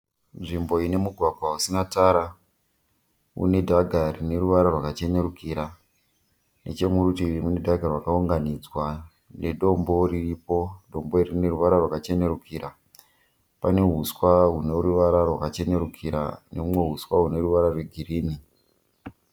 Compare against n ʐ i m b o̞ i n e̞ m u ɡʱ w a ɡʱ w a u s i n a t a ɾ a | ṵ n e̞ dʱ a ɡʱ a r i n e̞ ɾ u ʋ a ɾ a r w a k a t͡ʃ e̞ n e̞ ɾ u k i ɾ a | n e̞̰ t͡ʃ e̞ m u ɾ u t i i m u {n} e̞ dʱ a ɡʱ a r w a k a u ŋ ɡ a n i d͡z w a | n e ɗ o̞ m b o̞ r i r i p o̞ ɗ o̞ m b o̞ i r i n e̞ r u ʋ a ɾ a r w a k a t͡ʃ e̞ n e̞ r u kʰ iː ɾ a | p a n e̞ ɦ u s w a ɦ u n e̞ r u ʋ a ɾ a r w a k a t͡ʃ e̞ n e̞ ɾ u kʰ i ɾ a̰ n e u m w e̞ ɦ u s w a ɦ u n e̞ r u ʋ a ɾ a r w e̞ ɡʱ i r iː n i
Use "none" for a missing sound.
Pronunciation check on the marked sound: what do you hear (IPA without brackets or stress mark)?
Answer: n